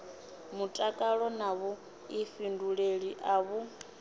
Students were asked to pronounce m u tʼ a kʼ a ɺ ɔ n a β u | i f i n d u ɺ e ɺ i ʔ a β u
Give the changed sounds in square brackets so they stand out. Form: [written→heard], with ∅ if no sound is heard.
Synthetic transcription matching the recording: m u tʼ a kʼ a ɺ ɔ n a β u | i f i n d u ɺ e ɺ i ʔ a β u